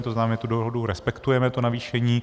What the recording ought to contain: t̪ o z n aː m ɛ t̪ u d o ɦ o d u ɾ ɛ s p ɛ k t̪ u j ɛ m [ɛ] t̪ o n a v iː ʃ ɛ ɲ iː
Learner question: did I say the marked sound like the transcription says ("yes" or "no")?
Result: yes